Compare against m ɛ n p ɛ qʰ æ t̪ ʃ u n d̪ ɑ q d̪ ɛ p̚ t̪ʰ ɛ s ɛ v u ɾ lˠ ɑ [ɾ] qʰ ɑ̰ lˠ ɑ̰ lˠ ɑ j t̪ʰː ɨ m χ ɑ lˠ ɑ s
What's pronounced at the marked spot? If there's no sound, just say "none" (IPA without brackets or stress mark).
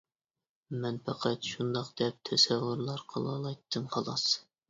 ɾ